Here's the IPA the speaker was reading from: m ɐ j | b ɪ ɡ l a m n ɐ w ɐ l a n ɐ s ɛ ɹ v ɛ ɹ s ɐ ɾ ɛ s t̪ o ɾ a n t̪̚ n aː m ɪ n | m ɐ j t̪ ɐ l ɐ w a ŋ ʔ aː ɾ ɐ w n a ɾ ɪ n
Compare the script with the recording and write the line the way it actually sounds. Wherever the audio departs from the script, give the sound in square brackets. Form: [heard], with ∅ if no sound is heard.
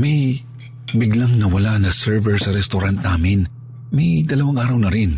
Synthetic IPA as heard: m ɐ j | b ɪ ɡ l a [ŋ] n ɐ w ɐ l a n ɐ s ɛ ɹ v ɛ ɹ s ɐ ɾ ɛ s t̪ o ɾ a n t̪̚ n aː m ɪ n | m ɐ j [d̪] ɐ l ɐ w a ŋ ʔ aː ɾ ɐ w n [ɐ] ɾ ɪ n